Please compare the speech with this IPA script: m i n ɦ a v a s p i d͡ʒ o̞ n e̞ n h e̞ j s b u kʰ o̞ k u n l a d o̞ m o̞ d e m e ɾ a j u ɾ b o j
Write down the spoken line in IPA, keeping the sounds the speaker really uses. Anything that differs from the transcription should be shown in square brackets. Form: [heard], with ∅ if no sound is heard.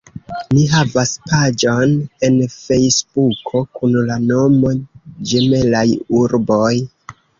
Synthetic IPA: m i [∅] ɦ a v a s p [a] d͡ʒ o̞ n e̞ n [f] e̞ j s b u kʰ o̞ k u n l a [n] o̞ m o̞ [d͡ʒ] e m e [l] a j u ɾ b o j